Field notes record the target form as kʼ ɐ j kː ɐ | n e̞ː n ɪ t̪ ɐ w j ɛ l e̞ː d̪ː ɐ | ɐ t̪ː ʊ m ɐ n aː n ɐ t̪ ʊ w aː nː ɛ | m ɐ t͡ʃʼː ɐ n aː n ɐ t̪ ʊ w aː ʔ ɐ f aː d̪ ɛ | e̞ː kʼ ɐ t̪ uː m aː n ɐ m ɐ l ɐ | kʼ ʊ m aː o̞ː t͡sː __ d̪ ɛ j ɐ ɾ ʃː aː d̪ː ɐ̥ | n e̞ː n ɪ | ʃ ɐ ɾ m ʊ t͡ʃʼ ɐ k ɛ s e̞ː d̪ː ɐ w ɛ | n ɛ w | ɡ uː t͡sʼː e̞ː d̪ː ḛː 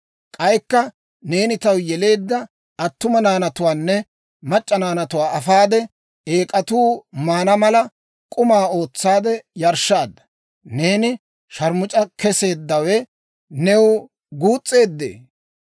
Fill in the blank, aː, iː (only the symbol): aː